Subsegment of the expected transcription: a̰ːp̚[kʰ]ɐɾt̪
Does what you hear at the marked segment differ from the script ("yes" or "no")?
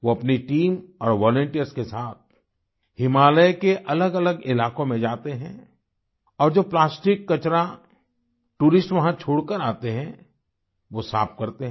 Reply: yes